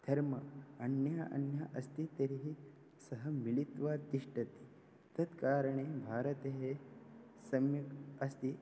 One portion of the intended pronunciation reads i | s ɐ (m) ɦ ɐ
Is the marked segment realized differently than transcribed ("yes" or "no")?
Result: yes